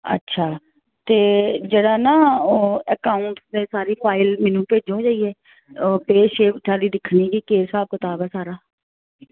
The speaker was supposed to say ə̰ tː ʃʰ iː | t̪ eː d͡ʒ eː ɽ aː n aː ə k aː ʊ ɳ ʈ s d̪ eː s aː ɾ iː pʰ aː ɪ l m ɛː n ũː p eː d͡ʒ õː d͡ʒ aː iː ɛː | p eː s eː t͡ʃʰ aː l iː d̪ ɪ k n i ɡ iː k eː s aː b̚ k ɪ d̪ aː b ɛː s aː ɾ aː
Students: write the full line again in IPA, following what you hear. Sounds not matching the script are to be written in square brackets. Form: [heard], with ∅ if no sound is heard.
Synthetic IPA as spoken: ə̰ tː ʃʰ [aː] | t̪ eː d͡ʒ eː ɽ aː n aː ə k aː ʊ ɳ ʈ s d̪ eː s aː ɾ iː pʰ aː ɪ l m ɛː n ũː p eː d͡ʒ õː d͡ʒ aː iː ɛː | p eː [ʃ] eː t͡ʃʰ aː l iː d̪ ɪ [kʰ] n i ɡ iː k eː s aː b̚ k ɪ [t̪] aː b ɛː s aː ɾ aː